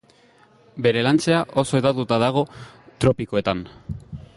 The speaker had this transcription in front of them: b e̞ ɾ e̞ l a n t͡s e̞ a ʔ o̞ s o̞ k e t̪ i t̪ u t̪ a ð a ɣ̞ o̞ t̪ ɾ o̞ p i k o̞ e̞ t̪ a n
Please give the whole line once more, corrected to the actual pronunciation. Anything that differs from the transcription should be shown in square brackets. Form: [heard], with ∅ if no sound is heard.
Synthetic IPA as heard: b e̞ ɾ e̞ l a n t͡s e̞ a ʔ o̞ s o̞ [∅] e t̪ [a] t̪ u t̪ a ð a ɣ̞ o̞ t̪ ɾ o̞ p i k o̞ e̞ t̪ a n